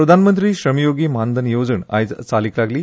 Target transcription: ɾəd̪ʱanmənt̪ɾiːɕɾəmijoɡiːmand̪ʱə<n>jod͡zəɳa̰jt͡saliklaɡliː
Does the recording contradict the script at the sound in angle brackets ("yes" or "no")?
no